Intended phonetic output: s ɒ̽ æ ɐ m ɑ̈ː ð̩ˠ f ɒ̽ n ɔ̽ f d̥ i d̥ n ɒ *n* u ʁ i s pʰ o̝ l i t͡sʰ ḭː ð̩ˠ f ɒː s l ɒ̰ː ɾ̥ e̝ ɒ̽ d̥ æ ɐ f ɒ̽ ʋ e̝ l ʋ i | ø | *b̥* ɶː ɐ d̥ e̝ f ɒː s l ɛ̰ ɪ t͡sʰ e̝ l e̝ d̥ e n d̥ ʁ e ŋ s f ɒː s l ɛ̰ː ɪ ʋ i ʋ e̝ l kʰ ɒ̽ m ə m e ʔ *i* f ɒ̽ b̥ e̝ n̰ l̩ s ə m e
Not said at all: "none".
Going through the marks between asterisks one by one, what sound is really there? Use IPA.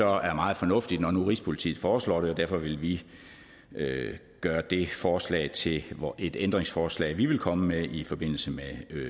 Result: n, ɡ̥, i

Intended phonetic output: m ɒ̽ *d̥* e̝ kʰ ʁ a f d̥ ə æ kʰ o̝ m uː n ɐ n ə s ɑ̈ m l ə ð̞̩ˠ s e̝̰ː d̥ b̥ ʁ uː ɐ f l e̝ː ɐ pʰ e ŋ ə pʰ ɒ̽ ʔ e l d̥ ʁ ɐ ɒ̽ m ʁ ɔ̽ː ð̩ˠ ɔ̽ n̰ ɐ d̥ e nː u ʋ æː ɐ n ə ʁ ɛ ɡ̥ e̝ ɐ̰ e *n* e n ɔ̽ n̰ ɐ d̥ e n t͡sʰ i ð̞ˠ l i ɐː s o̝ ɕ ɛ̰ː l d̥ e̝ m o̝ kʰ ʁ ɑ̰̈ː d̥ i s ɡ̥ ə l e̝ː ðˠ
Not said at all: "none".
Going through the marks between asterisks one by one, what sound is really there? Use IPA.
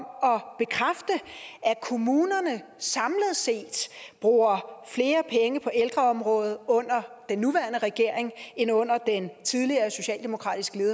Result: b̥, ŋ

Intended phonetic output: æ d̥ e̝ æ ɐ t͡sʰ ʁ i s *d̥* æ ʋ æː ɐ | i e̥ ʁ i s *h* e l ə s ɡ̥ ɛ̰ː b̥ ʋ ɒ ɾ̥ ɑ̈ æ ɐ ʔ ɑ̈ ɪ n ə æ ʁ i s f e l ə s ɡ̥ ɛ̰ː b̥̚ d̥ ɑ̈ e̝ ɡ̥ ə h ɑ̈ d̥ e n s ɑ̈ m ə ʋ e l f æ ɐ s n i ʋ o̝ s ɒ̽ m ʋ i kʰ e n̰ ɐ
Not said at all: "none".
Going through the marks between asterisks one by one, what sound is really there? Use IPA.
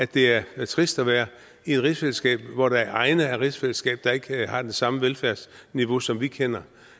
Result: d̥, f

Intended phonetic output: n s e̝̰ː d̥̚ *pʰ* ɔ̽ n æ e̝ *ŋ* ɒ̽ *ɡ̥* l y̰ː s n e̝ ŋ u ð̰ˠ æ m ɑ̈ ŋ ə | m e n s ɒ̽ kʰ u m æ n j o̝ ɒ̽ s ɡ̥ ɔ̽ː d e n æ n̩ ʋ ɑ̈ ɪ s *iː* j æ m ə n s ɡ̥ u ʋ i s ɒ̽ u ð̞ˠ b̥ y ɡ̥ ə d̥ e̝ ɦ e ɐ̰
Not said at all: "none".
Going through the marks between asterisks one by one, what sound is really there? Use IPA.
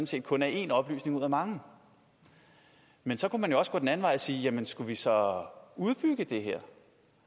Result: kʰ, n, b̥, iː

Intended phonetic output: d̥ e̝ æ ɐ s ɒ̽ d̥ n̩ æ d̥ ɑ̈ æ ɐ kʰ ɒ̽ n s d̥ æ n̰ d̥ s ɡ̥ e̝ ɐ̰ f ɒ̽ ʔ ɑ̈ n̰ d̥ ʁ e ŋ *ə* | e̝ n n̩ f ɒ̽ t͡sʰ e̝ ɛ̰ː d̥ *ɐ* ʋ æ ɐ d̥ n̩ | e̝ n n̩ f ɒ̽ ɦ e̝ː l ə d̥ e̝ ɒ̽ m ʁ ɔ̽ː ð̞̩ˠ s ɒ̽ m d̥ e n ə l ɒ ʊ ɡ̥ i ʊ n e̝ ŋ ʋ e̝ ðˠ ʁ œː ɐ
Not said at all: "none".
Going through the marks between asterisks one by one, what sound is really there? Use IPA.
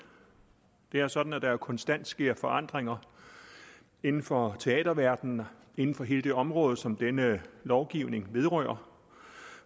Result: ɐ, ɐ

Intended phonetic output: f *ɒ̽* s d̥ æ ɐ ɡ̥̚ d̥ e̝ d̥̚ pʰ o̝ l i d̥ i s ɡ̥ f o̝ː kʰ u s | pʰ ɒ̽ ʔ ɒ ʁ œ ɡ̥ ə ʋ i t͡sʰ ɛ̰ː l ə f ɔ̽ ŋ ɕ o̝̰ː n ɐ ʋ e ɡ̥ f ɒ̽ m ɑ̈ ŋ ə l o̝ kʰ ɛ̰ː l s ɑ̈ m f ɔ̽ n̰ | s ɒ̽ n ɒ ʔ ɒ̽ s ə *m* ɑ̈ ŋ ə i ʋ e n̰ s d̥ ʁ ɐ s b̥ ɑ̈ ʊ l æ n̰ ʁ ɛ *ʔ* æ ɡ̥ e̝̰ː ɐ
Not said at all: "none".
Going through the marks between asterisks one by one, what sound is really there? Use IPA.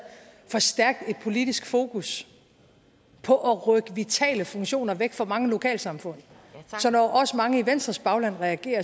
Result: ɒ̽, m, none

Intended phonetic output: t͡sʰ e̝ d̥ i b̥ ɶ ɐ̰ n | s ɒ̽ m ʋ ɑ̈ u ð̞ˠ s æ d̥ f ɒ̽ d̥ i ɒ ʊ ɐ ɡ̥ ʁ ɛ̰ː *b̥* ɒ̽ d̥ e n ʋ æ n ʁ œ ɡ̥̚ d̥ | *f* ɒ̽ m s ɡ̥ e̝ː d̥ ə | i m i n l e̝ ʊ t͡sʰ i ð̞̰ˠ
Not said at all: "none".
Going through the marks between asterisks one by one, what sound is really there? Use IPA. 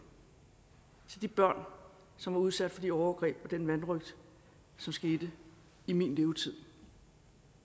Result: b̥, s

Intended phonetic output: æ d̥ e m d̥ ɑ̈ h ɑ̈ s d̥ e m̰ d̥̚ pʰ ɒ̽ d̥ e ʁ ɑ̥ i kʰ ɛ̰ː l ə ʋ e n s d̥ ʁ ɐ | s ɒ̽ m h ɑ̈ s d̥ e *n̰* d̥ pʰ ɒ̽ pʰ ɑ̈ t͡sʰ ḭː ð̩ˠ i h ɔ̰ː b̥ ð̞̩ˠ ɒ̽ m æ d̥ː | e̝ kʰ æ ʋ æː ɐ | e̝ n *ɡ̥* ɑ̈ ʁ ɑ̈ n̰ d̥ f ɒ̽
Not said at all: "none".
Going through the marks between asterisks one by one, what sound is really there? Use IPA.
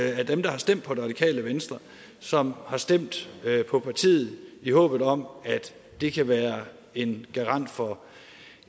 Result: m̰, ɡ̥

